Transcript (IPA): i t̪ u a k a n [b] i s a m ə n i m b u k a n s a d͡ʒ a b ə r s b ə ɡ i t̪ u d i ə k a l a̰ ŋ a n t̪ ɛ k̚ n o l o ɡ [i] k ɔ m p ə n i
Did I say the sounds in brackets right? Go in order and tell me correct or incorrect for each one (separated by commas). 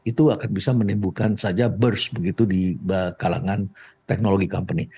correct, correct